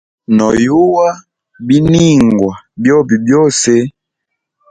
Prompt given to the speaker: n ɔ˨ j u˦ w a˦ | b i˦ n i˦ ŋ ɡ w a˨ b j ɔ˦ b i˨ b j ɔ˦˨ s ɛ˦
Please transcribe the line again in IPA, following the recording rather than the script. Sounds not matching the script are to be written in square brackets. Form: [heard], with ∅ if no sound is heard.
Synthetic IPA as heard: n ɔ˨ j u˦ w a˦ | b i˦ n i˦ ŋ ɡ w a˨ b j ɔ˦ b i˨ b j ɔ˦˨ s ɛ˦